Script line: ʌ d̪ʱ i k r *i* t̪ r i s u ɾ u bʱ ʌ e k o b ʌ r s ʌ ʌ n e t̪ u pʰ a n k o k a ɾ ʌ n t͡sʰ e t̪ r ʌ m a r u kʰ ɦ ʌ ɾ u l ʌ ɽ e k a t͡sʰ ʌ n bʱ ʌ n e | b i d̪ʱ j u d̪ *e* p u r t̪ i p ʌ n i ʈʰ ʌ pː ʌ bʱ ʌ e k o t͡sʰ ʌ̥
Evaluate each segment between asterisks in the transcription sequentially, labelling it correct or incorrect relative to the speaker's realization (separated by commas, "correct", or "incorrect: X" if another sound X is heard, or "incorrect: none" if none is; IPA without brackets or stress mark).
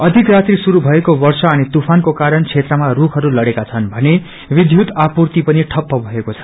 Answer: incorrect: a, incorrect: a